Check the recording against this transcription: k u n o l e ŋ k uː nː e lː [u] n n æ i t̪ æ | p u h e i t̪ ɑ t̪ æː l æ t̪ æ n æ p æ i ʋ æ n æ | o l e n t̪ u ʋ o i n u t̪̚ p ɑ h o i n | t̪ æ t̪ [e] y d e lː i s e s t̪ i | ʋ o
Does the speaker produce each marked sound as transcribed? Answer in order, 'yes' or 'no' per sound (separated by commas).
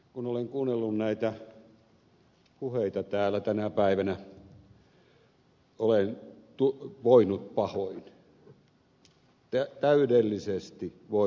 yes, no